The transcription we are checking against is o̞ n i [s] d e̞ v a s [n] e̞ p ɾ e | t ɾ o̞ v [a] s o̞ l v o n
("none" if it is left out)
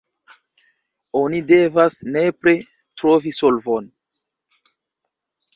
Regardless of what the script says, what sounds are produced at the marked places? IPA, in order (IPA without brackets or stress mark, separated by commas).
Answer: none, n, i